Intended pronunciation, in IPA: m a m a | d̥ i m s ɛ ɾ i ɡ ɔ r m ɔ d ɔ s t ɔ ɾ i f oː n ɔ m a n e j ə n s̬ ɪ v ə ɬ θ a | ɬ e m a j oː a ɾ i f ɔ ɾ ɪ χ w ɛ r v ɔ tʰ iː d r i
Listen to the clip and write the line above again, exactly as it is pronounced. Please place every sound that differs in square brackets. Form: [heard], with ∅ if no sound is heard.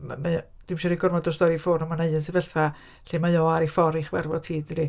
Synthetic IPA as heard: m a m a | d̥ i m [ʃ] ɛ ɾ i ɡ ɔ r m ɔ d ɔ s t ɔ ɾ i f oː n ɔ m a n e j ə n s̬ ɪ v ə ɬ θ a | ɬ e m a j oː a ɾ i f ɔ ɾ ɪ χ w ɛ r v ɔ tʰ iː d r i